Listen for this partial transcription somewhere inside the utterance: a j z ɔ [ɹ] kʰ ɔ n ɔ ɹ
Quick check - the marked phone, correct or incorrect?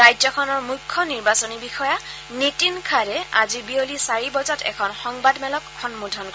incorrect